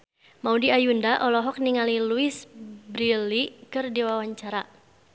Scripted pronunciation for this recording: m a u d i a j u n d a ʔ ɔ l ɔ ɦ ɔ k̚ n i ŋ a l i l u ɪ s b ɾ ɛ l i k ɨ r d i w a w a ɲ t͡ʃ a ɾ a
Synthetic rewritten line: m a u d i a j u n d a ʔ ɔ l ɔ ɦ ɔ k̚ n i ŋ a l i l u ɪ s b ɾ i l i k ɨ r d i w a w a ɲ t͡ʃ a ɾ a